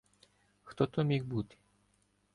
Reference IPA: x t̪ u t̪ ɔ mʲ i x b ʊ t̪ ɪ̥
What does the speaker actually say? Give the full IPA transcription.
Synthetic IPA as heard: x t̪ ɔ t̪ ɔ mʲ i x b u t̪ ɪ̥